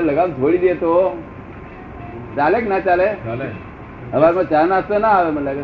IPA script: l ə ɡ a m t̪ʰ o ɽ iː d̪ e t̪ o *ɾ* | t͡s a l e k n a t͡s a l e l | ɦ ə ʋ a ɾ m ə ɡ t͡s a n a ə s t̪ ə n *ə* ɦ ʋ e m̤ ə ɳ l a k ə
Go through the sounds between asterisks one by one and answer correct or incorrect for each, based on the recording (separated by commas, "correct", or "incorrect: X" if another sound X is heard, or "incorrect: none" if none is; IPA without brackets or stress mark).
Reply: incorrect: none, incorrect: a